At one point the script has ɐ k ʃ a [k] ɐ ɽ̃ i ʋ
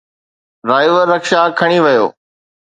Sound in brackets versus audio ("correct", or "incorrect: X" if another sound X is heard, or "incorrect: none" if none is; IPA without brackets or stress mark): incorrect: kʰ